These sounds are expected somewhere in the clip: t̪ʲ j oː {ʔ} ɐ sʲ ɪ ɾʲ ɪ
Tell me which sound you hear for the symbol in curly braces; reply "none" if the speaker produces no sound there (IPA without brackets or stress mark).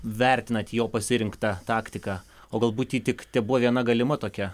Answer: p